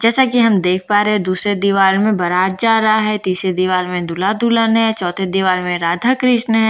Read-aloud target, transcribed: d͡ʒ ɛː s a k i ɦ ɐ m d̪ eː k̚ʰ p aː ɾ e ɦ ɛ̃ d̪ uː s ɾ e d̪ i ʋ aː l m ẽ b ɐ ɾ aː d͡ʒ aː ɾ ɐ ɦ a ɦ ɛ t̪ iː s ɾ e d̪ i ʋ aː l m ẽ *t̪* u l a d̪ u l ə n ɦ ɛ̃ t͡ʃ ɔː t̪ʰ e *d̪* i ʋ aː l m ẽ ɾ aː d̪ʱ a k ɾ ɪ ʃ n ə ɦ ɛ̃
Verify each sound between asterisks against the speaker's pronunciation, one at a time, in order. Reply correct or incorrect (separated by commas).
incorrect, correct